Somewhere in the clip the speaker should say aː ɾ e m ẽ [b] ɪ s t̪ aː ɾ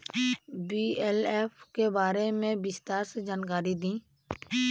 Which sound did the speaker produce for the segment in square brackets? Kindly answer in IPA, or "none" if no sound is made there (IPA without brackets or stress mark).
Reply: b